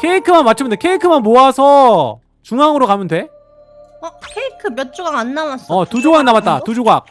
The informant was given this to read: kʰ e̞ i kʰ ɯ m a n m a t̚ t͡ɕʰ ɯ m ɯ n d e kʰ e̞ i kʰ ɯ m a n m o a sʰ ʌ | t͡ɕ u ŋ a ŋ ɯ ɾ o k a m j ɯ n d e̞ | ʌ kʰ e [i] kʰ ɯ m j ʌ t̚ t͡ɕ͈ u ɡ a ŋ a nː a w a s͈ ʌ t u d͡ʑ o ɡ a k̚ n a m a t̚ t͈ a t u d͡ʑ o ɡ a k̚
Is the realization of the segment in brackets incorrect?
no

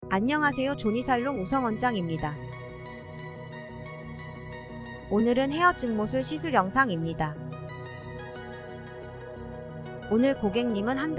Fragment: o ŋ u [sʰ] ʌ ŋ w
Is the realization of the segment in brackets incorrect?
no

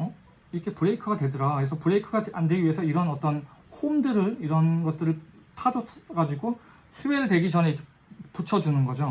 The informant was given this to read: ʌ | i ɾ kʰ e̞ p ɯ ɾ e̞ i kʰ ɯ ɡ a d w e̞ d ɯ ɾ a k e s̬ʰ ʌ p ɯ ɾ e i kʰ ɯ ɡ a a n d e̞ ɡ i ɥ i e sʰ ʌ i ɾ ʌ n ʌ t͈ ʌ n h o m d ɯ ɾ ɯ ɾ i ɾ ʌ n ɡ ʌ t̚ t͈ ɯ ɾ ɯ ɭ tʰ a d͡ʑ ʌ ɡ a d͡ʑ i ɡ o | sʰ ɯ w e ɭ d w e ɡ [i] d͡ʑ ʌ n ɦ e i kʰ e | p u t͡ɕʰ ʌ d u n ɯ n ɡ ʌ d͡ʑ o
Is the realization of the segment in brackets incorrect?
no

